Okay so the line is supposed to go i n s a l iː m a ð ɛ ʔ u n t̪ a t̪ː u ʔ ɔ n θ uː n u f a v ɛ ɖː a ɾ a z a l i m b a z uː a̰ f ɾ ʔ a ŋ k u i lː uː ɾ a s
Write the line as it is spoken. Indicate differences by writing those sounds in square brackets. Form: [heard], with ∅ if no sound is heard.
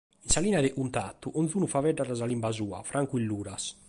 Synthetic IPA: i n s a l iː [n] a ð ɛ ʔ u n t̪ a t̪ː u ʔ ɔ n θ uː n u f a v ɛ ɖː a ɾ a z a l i m b a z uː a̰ f ɾ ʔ a ŋ k u i lː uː ɾ a s